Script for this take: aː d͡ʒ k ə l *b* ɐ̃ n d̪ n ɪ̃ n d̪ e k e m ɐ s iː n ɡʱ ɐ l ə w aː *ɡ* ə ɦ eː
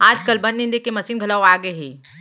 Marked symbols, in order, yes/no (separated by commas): yes, yes